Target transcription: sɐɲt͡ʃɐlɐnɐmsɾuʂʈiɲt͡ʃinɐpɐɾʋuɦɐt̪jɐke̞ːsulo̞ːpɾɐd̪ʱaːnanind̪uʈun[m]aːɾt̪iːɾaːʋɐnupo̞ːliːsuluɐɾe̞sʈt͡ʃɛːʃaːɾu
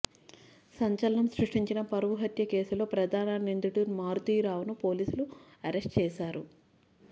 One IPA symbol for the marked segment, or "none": m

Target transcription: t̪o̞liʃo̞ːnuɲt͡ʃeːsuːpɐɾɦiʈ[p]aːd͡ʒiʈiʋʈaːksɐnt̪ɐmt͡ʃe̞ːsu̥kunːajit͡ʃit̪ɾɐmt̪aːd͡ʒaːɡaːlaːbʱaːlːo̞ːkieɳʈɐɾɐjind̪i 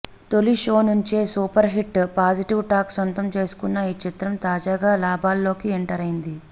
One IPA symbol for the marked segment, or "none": p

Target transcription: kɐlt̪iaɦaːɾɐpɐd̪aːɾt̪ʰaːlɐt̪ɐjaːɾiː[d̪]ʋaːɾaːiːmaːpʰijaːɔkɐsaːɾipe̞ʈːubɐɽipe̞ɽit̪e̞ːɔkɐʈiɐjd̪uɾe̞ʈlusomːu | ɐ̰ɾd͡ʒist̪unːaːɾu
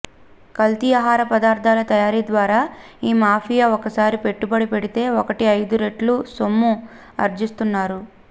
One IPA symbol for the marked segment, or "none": d̪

